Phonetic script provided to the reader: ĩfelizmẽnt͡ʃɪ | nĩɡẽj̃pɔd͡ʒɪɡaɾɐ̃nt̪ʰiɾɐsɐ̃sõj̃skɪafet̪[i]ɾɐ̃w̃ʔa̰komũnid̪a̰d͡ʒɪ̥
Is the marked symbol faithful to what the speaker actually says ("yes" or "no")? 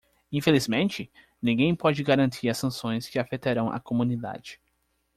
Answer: no